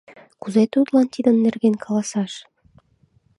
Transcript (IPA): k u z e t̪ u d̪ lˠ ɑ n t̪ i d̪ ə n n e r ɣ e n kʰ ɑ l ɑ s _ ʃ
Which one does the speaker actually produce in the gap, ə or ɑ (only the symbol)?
ɑ